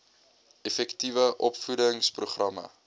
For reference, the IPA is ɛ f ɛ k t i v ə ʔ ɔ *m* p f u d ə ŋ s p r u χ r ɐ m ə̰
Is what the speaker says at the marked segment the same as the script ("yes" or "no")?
no